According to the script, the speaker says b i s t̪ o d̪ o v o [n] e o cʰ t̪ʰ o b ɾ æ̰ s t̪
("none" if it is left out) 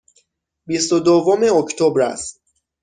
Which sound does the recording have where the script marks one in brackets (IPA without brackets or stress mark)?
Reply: m